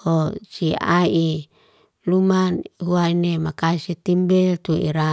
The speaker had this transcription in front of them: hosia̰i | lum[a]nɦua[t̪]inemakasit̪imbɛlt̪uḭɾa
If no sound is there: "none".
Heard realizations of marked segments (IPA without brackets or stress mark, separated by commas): a, none